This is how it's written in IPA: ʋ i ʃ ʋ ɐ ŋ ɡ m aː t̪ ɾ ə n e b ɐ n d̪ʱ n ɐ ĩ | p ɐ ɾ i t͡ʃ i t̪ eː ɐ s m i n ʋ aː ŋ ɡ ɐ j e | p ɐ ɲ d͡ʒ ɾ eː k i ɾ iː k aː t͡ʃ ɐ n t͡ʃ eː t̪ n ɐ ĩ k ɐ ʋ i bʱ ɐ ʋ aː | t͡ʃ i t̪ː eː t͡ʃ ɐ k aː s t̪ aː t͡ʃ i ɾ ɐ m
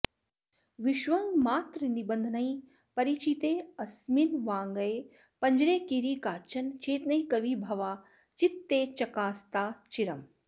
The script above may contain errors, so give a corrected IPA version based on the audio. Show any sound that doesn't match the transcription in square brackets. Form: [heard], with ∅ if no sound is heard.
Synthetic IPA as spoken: ʋ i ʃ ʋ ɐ ŋ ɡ m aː t̪ ɾ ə n [i] b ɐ n d̪ʱ n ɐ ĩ | p ɐ ɾ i t͡ʃ i t̪ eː ɐ s m i n ʋ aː ŋ ɡ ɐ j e | p ɐ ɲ d͡ʒ ɾ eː k i ɾ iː k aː t͡ʃ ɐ n t͡ʃ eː t̪ n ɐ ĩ k ɐ ʋ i bʱ ɐ ʋ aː | t͡ʃ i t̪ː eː t͡ʃ ɐ k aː s t̪ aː t͡ʃ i ɾ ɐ m